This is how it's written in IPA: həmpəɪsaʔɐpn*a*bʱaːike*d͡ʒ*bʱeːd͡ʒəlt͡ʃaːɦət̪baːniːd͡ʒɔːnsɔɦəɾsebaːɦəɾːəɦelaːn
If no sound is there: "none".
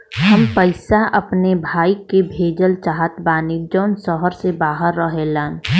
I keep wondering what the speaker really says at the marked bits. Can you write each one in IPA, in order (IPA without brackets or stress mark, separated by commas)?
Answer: e, none